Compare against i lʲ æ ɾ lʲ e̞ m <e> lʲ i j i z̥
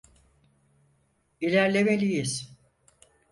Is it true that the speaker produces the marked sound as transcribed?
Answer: yes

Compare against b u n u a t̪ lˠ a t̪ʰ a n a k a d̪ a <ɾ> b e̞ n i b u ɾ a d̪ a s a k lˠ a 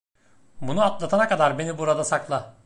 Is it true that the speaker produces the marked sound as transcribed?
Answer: yes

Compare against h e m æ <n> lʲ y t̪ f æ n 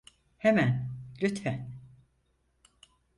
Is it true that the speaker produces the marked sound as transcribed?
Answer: yes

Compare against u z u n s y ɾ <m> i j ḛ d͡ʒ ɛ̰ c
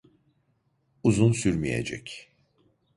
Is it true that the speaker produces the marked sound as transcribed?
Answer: yes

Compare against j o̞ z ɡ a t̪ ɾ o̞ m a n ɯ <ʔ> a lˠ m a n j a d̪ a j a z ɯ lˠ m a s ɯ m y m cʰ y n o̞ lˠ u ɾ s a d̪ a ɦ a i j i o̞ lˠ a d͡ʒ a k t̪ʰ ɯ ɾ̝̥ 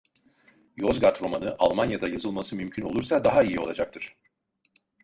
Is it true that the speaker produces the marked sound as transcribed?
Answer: yes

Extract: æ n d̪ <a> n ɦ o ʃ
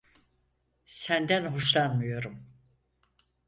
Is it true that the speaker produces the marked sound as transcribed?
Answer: no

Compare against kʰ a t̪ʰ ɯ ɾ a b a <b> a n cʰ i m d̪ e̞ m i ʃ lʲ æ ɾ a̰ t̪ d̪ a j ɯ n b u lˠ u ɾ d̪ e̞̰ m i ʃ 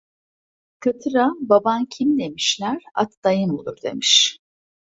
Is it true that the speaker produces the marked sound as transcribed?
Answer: yes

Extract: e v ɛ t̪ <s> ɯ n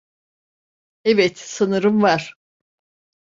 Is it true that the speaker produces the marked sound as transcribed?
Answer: yes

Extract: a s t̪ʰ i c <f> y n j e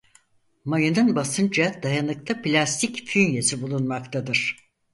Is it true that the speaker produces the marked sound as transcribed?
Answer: yes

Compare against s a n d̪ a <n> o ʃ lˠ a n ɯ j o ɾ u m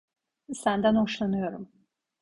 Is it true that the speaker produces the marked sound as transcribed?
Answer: yes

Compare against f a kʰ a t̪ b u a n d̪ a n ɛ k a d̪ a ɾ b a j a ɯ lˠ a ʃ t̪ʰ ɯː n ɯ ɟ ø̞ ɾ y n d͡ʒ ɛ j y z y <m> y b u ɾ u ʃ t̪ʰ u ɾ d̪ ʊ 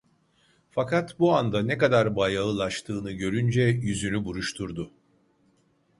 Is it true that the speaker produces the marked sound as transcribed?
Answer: no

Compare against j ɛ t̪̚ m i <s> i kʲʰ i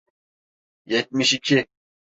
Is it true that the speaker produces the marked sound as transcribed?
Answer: no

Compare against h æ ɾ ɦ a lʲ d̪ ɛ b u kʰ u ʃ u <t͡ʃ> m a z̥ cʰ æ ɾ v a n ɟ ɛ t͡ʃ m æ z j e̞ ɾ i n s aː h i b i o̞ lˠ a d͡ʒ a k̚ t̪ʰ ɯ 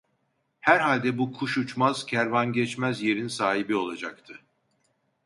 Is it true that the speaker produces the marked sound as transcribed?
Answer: yes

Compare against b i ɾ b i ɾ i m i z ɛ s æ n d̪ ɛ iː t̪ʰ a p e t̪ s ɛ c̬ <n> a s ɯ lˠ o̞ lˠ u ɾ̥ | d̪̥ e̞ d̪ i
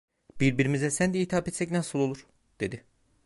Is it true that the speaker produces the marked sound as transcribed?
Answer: yes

